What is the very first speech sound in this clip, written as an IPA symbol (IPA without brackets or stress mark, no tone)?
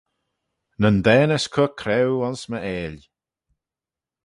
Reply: n